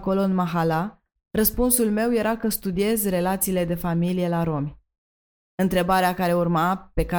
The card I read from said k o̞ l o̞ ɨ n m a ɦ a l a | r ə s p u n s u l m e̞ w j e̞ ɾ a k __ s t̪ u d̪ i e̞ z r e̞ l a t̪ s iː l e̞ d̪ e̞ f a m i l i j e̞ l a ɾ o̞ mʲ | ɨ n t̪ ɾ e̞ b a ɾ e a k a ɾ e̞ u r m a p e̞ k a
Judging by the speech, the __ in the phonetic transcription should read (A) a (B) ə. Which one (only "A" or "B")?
B